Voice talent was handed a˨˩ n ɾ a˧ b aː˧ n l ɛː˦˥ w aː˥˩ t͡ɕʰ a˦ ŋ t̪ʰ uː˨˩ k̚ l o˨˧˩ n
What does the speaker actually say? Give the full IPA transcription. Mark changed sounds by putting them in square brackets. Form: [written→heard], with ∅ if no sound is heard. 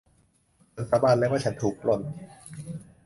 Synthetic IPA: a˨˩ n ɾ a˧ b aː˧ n l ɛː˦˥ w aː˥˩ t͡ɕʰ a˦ [ŋ→n] t̪ʰ uː˨˩ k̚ l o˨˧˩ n